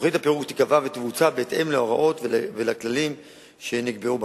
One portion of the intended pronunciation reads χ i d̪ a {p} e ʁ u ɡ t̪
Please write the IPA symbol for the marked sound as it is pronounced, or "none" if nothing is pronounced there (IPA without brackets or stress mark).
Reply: p